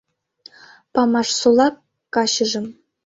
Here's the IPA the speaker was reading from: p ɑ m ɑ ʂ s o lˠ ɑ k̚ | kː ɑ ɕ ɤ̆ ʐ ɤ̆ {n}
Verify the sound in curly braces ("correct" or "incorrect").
incorrect